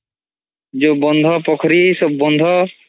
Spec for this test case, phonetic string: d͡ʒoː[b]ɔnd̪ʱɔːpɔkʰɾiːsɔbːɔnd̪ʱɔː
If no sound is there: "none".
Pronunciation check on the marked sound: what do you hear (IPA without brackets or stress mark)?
b